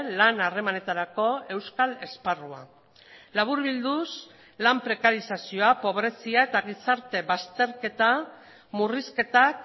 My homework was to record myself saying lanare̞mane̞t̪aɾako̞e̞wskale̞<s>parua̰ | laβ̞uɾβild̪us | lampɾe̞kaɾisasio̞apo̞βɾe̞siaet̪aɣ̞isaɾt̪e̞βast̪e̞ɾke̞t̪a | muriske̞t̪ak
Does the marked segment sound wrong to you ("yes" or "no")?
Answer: no